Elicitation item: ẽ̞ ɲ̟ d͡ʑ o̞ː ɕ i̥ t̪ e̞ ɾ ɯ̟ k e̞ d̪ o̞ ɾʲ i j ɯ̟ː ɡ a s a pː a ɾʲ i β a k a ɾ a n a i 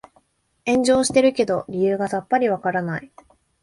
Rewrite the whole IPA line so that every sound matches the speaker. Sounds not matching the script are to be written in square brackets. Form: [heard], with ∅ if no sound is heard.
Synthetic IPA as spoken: ẽ̞ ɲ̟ d͡ʑ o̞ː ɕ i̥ t̪ e̞ ɾ ɯ̟ k e̞ d̪ o̞ ɾʲ i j ɯ̟ː ɡ a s a pː a ɾʲ i β a k a ɾ a n a i